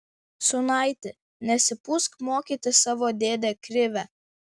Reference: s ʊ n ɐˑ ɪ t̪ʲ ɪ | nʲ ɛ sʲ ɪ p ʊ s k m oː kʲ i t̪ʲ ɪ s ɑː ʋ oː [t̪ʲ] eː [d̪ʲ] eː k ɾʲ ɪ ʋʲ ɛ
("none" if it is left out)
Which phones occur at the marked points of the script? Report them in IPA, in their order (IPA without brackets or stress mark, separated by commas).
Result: d̪ʲ, d̪ʲ